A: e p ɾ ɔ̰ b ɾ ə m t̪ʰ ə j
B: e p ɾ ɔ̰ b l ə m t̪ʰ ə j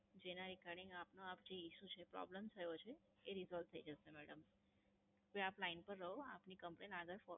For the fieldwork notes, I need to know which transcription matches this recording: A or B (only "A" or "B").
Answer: B